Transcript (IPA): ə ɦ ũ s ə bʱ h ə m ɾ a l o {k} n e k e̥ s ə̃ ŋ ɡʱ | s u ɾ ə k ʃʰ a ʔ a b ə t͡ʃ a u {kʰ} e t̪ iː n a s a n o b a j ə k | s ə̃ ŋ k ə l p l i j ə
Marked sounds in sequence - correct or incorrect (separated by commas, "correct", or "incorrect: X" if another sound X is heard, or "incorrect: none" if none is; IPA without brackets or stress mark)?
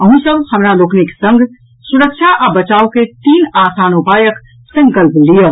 correct, incorrect: k